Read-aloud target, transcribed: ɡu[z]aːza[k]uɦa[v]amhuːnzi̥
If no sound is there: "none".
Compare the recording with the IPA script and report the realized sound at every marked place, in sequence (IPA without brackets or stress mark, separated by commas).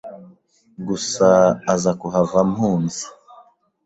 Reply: s, k, v